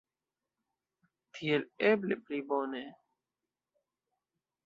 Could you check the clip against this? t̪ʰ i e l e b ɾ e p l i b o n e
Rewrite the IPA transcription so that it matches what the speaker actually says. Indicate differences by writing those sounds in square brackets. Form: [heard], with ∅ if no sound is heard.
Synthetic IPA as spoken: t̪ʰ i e l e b [l] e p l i b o n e